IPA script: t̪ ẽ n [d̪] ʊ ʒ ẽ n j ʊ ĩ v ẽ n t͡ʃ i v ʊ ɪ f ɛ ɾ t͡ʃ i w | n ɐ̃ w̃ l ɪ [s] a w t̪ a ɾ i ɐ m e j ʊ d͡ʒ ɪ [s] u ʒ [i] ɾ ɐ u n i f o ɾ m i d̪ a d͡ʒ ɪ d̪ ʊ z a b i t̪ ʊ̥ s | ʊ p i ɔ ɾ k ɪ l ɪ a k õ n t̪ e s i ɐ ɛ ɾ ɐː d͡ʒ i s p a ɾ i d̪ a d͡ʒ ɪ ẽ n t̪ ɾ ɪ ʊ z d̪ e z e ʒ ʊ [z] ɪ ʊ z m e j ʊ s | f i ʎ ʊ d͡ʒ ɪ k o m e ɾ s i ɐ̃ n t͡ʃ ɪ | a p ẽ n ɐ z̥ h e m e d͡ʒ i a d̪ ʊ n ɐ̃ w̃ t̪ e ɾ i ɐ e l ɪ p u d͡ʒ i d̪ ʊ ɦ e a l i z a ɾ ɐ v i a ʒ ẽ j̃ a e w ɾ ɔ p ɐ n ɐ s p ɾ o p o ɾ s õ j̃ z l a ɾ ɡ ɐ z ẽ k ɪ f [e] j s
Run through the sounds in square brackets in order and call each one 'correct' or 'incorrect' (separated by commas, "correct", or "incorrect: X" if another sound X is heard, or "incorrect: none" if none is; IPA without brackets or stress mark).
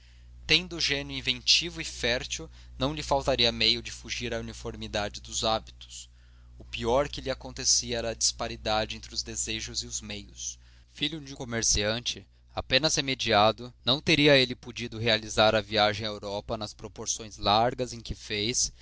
correct, incorrect: f, incorrect: f, correct, correct, correct